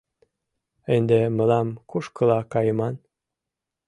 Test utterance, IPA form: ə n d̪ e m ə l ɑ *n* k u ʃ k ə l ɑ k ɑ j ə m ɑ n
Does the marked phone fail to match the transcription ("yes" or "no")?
yes